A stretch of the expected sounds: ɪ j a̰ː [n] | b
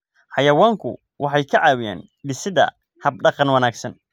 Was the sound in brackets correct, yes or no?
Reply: yes